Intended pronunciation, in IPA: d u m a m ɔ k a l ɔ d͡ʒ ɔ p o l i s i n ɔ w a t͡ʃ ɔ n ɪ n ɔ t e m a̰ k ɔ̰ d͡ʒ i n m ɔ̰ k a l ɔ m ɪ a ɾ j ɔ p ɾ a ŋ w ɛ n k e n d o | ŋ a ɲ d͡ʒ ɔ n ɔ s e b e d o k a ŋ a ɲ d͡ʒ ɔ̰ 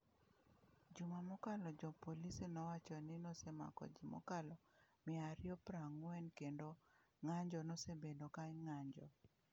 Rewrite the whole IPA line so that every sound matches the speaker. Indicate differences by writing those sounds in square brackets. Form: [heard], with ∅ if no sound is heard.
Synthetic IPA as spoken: [d͡ʒ] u m a m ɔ k a l ɔ d͡ʒ ɔ p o l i s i n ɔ w a t͡ʃ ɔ n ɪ n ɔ [s] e m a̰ k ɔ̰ d͡ʒ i [∅] m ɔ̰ k a l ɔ m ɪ a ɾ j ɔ p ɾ a ŋ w ɛ n k e n d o | ŋ a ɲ d͡ʒ ɔ n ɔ s e b e d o k a ŋ a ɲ d͡ʒ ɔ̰